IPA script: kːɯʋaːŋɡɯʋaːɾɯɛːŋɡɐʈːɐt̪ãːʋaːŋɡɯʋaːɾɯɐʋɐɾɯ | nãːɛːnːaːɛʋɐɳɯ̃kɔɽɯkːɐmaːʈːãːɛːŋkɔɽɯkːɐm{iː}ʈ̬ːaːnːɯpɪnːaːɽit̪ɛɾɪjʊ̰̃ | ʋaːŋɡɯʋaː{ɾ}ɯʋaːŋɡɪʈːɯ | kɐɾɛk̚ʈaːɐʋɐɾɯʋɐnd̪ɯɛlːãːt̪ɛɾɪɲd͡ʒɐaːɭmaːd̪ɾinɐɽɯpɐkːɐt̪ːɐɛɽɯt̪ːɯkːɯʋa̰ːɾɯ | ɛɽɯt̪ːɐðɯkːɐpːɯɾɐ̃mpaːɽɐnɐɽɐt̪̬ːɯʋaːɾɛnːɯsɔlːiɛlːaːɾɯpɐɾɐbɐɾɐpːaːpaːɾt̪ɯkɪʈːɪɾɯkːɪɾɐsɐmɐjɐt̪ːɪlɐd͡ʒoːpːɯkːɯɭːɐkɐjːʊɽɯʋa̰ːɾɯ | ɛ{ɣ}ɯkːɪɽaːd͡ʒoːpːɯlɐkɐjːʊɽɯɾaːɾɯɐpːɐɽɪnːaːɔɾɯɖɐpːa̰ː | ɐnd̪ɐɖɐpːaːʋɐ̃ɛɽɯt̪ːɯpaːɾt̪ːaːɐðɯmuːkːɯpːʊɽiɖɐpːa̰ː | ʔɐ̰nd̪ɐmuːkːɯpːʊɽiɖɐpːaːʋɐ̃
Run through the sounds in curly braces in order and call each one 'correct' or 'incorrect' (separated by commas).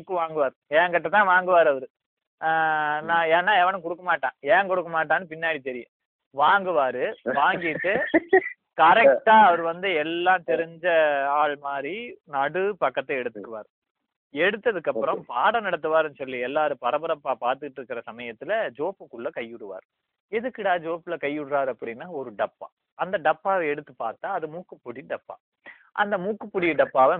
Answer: incorrect, correct, incorrect